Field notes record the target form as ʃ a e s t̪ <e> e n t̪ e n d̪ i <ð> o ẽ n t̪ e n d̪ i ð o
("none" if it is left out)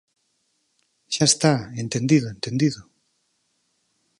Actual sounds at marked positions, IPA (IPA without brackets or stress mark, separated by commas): a, ð